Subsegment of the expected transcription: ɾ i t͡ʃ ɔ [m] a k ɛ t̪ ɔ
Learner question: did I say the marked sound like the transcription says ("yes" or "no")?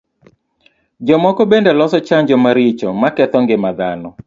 yes